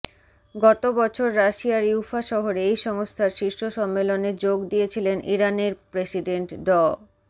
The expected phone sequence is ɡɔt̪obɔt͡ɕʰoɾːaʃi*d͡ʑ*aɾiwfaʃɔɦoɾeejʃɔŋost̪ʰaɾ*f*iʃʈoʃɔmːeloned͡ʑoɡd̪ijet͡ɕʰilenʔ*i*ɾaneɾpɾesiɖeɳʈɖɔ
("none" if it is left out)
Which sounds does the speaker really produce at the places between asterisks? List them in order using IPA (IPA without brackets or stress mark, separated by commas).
none, ʃ, i